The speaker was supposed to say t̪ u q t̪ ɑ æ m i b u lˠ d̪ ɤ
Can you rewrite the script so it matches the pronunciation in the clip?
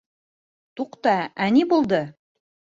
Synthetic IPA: t̪ u q t̪ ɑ æ n i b u lˠ d̪ ɤ